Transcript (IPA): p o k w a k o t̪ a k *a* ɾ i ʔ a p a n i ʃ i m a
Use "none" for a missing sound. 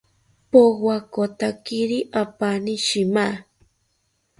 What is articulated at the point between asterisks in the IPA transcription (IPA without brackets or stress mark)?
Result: i